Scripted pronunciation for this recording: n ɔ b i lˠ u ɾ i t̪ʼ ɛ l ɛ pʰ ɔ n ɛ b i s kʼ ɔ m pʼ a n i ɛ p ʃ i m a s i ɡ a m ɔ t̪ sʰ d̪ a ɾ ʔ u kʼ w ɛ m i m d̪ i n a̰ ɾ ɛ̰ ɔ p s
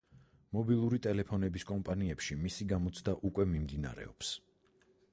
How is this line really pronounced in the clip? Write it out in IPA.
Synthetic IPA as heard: m ɔ b i lˠ u ɾ i t̪ʼ ɛ l ɛ pʰ ɔ n ɛ b i s kʼ ɔ m pʼ a n i ɛ p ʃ i m i s i ɡ a m ɔ t̪ sʰ d̪ a ʔ u kʼ w ɛ m i m d̪ i n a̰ ɾ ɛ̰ ɔ p s